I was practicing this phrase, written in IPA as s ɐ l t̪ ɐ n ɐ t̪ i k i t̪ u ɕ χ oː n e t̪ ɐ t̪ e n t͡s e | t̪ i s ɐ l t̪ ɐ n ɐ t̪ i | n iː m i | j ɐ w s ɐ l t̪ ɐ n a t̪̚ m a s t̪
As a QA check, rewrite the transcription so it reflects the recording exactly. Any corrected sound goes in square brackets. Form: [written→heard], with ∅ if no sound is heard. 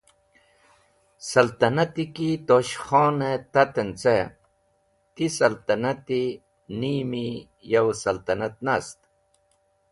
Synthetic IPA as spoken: s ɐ l t̪ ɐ n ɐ t̪ i k i t̪ [u→o] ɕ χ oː n e t̪ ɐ t̪ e n t͡s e | t̪ i s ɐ l t̪ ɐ n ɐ t̪ i | n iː m i | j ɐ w s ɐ l t̪ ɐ n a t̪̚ [m→n] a s t̪